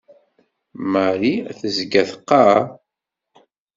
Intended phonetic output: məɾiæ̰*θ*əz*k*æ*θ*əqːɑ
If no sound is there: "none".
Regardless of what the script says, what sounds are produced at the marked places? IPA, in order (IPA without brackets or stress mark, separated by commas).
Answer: θ, ɡ, θ